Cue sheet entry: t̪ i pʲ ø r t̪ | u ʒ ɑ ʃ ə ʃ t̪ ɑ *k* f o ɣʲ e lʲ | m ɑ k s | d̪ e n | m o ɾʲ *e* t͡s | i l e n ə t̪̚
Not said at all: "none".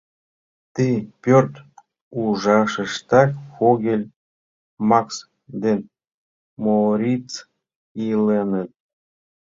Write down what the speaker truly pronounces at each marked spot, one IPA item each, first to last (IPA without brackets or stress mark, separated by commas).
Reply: k, i